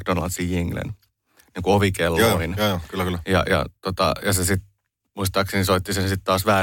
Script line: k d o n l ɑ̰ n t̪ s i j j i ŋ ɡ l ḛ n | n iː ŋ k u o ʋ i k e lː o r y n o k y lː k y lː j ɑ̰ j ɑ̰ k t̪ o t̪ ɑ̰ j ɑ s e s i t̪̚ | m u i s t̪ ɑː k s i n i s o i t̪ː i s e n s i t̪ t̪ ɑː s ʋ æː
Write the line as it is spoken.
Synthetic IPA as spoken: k d o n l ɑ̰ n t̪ s i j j i ŋ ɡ l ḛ n | n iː ŋ k u o ʋ i k e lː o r i n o k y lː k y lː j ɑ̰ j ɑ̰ t̪ o t̪ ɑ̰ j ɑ s e s i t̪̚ | m u i s t̪ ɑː k s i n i s o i t̪ː i s e n s i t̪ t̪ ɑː s ʋ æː